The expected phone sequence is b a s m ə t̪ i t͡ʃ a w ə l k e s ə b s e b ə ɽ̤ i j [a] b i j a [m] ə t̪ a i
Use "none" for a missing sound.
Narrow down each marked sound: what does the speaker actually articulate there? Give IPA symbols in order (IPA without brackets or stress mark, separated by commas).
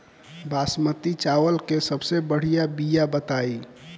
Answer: a, b